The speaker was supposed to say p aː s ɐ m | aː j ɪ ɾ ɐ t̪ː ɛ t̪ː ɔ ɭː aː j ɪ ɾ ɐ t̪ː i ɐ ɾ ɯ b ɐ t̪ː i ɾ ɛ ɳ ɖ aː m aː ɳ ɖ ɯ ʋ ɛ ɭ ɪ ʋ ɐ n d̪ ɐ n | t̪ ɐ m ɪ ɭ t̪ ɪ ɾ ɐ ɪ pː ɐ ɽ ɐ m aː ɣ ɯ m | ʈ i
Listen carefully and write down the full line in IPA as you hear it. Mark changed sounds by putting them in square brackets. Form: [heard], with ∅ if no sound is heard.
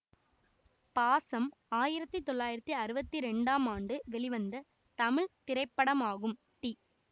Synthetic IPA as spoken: p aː s ɐ m | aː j ɪ ɾ ɐ t̪ː [i] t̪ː ɔ ɭː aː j ɪ ɾ ɐ t̪ː i ɐ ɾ ɯ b ɐ t̪ː i ɾ ɛ ɳ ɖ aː m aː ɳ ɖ ɯ ʋ ɛ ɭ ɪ ʋ ɐ n d̪ ɐ [∅] | t̪ ɐ m ɪ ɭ t̪ ɪ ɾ ɐ ɪ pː ɐ ɽ ɐ m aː ɣ ɯ m | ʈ i